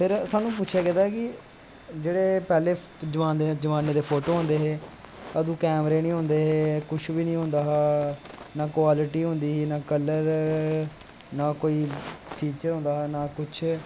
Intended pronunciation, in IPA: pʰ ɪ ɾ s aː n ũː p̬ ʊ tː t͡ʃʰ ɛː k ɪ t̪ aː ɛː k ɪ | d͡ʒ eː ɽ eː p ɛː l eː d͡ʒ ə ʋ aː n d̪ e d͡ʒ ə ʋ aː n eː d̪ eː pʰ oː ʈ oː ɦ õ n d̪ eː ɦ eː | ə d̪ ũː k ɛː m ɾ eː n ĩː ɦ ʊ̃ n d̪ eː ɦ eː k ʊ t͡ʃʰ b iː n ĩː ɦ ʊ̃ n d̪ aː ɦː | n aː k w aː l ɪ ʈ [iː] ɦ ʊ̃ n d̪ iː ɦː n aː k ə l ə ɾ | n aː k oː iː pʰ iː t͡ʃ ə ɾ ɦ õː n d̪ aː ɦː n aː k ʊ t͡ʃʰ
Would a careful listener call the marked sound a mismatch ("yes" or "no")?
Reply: no